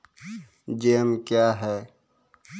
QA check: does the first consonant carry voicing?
yes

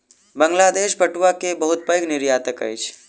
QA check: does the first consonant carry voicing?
yes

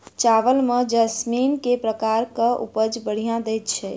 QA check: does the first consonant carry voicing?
no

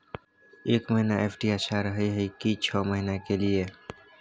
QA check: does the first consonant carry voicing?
no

